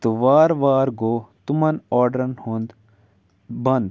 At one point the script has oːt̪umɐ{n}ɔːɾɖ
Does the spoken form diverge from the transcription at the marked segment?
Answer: no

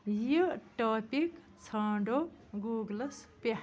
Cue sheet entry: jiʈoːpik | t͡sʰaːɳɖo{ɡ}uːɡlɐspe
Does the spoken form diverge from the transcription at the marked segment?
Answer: no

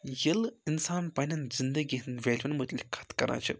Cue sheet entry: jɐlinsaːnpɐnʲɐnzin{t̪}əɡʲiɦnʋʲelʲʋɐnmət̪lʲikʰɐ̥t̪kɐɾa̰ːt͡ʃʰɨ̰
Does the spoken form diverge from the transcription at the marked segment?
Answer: yes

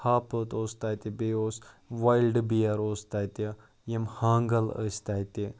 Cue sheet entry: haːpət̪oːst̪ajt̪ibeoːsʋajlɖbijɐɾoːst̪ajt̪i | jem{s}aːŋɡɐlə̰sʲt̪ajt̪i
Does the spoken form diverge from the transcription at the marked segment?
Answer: yes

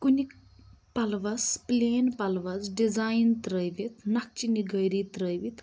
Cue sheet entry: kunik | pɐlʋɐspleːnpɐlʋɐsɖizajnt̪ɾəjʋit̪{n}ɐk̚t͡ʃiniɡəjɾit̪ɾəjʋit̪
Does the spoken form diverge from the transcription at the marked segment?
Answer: no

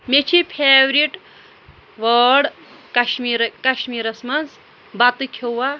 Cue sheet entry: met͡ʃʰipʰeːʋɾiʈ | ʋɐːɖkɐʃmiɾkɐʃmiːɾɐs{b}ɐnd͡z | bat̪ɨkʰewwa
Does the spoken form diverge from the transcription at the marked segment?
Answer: yes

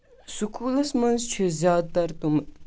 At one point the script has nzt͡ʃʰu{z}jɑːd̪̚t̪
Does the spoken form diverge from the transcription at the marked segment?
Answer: no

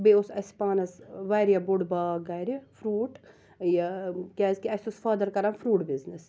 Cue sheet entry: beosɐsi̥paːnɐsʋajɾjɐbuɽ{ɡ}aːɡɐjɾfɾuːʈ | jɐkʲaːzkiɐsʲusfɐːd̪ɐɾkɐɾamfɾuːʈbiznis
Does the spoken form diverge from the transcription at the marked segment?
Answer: yes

